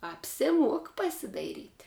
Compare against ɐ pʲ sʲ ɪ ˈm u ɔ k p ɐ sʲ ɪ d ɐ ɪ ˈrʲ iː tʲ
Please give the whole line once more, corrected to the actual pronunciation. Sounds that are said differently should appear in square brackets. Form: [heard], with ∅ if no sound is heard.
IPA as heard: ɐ pʲ sʲ ɪ ˈm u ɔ k p ɐ sʲ ɪ d ɐ ɪ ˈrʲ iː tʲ